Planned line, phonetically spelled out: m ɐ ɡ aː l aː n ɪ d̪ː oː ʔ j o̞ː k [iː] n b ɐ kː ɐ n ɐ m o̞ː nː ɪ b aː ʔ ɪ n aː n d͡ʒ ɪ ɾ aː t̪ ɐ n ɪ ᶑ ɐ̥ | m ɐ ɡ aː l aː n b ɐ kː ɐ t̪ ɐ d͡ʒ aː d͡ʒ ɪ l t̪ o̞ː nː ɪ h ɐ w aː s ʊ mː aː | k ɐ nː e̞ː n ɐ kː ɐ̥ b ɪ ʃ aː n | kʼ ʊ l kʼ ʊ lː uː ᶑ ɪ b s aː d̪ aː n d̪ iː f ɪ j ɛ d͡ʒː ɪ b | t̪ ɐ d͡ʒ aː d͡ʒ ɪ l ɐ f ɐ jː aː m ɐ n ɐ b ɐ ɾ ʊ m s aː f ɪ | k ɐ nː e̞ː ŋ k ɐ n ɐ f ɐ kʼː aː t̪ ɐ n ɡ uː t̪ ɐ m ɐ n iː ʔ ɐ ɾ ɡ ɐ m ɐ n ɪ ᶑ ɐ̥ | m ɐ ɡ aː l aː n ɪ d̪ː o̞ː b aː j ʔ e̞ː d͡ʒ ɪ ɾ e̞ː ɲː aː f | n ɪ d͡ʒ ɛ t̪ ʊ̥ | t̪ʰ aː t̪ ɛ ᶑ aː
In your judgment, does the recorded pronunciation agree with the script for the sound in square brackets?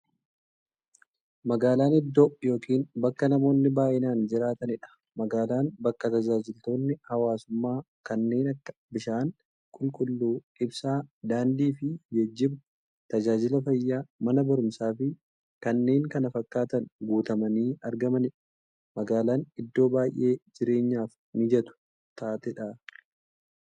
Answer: yes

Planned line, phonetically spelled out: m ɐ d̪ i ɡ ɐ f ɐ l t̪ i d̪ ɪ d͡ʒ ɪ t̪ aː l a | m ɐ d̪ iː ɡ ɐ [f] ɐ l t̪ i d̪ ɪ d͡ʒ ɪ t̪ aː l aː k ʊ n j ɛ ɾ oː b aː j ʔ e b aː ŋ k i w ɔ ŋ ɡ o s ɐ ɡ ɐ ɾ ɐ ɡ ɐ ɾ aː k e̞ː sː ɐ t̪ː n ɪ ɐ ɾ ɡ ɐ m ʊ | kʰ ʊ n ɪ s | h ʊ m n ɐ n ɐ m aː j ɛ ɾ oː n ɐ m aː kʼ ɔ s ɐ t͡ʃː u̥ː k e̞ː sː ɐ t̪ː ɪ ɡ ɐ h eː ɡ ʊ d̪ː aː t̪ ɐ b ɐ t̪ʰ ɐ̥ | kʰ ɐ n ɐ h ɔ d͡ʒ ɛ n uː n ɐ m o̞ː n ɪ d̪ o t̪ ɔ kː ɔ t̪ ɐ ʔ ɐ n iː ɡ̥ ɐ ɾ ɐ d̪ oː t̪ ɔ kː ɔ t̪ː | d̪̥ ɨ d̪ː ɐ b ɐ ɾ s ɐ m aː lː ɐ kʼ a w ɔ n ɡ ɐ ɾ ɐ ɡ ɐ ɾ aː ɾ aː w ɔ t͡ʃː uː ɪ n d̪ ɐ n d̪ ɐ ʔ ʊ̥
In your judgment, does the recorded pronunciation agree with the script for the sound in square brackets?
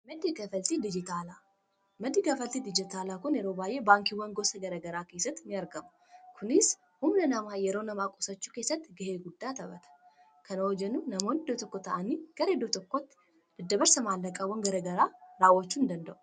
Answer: yes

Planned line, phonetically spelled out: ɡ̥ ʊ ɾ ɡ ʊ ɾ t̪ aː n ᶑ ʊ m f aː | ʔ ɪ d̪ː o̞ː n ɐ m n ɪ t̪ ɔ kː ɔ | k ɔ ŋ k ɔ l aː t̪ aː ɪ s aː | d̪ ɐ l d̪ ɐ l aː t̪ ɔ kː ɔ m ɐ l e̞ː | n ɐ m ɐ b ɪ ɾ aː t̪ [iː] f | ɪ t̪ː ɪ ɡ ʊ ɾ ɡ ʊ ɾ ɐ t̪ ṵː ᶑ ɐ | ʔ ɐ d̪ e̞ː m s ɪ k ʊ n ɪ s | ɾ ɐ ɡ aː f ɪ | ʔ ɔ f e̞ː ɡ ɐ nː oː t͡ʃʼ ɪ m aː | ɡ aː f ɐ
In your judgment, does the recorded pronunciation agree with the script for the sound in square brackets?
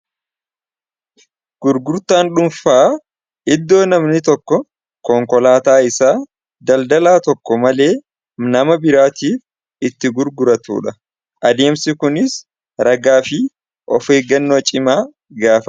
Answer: yes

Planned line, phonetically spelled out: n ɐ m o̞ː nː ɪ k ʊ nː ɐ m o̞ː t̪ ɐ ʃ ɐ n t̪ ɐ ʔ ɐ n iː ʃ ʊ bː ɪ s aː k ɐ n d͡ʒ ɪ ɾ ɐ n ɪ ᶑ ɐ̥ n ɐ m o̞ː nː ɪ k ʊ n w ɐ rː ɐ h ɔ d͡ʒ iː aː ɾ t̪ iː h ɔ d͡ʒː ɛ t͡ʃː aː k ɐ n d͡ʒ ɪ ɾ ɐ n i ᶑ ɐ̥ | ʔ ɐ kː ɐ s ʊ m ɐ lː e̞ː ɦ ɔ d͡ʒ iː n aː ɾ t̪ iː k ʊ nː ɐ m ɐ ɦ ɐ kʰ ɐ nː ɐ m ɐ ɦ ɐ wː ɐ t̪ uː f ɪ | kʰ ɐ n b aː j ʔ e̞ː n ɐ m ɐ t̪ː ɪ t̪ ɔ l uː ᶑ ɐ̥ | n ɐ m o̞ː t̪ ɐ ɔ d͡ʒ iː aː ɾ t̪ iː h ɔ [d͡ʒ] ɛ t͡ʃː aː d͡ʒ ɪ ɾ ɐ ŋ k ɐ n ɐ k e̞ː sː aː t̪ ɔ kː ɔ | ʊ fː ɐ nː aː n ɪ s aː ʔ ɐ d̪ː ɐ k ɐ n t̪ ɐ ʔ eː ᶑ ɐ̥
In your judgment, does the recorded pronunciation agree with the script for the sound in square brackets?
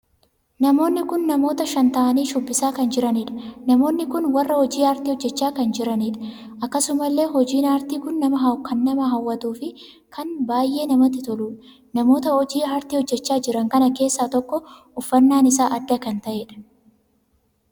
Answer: no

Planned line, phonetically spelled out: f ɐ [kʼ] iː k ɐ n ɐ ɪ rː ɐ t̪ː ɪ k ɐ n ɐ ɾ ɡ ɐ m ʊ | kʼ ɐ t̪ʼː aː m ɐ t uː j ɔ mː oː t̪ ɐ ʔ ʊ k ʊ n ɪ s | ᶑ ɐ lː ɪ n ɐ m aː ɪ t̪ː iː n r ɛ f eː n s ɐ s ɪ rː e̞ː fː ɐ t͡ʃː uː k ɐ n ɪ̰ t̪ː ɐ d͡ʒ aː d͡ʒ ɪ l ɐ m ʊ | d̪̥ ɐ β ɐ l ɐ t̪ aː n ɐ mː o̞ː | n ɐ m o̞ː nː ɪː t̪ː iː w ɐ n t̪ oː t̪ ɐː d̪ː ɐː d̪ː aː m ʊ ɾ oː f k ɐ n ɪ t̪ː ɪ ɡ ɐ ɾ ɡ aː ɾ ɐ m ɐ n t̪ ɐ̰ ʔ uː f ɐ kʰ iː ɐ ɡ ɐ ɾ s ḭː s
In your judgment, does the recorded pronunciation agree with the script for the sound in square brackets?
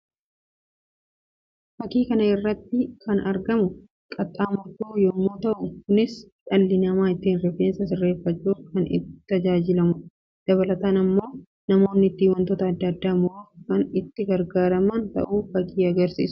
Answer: no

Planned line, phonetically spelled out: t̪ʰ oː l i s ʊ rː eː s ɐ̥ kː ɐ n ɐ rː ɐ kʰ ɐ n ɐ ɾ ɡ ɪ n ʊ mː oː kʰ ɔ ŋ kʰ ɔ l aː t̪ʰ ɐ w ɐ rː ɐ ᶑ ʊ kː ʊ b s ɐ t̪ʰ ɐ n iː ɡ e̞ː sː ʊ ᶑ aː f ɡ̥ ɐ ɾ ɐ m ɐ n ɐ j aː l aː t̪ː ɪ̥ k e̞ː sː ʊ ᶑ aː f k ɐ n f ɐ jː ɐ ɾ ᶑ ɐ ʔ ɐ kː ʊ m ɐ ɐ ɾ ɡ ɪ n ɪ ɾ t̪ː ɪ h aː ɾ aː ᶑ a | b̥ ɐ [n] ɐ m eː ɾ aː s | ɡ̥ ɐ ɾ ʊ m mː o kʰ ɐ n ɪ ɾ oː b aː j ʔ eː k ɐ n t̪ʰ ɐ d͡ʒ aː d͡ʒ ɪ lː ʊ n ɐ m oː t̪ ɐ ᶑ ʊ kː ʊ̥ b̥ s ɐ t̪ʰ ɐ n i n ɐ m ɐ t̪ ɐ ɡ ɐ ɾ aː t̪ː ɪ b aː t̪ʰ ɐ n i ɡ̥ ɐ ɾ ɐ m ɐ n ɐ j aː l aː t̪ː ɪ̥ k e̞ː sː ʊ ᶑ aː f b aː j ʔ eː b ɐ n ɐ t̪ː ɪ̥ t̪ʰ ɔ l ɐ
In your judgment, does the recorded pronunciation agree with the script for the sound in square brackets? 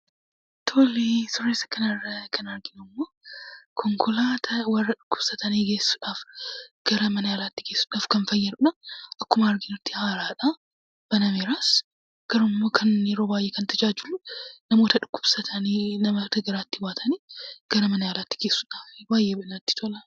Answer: yes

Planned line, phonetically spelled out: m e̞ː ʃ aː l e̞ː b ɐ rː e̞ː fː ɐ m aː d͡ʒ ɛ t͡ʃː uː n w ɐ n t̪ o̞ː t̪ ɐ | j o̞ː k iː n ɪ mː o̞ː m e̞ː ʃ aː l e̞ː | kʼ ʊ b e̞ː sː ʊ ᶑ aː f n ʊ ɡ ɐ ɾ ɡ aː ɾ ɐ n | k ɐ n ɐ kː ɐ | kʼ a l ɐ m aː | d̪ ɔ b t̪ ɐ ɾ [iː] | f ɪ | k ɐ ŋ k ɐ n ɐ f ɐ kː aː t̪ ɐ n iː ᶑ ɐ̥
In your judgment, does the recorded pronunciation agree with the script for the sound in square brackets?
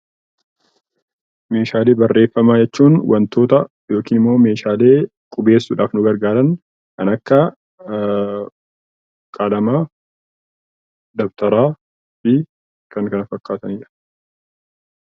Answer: no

